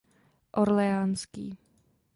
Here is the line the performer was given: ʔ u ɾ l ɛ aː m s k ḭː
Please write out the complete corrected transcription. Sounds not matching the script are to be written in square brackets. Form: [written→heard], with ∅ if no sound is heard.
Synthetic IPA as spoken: ʔ [u→o] ɾ l ɛ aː [m→n] s k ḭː